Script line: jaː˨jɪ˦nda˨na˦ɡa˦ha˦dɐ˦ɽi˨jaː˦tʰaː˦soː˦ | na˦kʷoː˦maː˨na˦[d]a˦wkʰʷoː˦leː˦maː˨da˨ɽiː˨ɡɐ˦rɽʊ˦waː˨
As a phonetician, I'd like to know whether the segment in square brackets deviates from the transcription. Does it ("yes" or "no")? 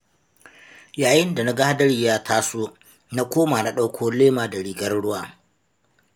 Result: yes